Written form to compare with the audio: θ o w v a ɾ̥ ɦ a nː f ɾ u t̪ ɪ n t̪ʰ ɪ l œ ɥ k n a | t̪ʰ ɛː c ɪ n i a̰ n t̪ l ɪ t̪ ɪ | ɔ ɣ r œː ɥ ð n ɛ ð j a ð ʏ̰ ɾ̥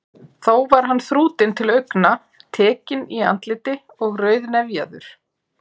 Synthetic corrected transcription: θ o w v a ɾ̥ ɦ a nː θ ɾ uː t̪ ɪ n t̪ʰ ɪ l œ ɥ k n a | t̪ʰ ɛː c ɪ n i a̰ n t̪ l ɪ t̪ ɪ | ɔ ɣ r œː ɥ ð n ɛ v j a ð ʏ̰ ɾ̥